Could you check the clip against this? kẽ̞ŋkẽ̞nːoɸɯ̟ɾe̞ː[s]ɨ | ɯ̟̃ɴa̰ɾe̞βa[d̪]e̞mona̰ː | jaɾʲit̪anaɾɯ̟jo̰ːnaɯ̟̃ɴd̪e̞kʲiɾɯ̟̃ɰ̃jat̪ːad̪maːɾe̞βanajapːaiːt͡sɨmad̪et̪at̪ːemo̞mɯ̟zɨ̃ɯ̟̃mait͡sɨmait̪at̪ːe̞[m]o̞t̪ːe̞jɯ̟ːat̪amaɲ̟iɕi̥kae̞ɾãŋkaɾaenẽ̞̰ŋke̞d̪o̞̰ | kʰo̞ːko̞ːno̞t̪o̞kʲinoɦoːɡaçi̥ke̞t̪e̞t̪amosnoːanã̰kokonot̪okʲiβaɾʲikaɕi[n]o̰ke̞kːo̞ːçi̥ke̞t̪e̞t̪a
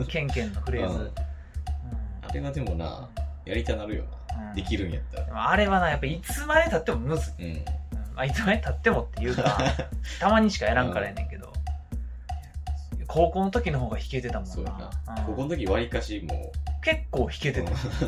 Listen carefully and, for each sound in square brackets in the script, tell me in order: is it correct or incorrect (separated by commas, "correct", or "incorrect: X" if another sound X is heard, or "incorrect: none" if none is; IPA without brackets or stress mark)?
incorrect: z, correct, correct, incorrect: m